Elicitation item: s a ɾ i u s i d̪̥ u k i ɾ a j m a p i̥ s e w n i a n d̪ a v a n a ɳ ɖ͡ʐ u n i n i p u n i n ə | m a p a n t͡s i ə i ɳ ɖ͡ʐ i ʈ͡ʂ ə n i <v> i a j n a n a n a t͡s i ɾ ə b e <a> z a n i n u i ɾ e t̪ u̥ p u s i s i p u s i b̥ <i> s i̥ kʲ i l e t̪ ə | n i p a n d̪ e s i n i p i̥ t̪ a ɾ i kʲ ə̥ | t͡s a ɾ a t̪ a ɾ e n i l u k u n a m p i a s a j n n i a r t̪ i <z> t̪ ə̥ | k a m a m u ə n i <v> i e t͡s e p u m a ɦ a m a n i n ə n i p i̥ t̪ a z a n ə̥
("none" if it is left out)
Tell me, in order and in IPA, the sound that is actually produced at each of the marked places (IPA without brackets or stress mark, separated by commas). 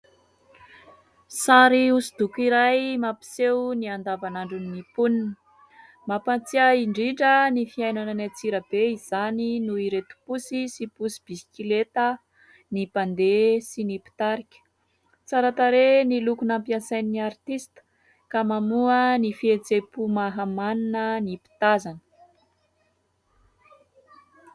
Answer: f, i, i, s, f